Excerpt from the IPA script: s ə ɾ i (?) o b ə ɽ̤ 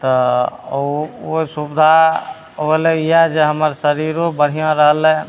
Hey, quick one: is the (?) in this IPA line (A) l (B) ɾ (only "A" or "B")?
B